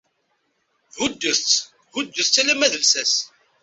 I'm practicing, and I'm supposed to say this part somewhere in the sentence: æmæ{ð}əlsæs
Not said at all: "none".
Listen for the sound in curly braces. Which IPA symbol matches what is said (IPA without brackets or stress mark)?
ð